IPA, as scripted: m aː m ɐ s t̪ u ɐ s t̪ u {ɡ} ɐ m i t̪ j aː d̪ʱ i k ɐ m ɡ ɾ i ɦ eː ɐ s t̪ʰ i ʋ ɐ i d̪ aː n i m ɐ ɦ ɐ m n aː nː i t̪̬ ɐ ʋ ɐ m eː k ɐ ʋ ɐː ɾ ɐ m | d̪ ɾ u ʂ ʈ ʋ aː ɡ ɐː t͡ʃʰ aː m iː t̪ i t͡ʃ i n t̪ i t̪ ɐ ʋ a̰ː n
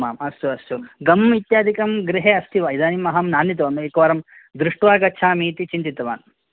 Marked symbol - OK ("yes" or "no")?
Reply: yes